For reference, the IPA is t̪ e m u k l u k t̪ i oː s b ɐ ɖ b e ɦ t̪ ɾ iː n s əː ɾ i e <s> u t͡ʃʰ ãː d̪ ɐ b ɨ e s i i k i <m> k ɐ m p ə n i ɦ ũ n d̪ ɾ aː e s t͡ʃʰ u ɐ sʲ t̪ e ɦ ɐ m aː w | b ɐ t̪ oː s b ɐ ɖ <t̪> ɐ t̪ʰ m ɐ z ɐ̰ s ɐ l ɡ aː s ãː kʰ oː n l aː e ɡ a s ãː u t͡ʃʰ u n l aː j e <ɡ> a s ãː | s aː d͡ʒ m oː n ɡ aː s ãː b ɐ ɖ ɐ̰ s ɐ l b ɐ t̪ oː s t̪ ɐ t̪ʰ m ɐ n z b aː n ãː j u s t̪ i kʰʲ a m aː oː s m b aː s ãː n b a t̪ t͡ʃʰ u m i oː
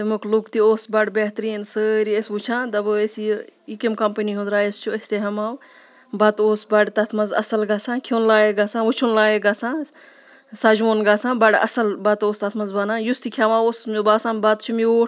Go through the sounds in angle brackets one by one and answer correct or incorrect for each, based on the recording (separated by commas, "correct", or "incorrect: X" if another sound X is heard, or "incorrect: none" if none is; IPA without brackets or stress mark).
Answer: correct, correct, correct, correct